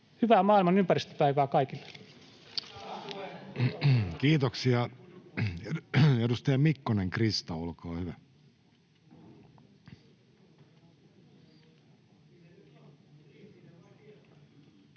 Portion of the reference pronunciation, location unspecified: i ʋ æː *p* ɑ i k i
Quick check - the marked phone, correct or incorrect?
incorrect